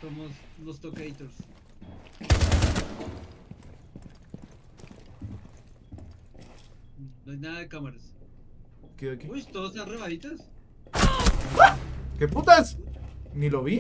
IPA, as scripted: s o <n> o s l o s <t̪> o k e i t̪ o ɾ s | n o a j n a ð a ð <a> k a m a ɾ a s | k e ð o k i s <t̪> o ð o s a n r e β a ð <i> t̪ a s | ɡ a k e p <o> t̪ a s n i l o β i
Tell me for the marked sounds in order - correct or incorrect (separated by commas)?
incorrect, correct, incorrect, correct, correct, incorrect